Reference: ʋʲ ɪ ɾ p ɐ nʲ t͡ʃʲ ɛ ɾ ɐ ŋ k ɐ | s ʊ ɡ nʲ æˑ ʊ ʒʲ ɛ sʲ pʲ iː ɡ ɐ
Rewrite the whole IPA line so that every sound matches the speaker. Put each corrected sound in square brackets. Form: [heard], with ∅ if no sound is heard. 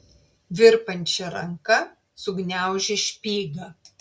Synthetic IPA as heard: ʋʲ ɪ ɾ p ɐ nʲ t͡ʃʲ ɛ ɾ ɐ ŋ k ɐ | s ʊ ɡ nʲ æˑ ʊ ʒʲ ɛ [ʃʲ] pʲ iː ɡ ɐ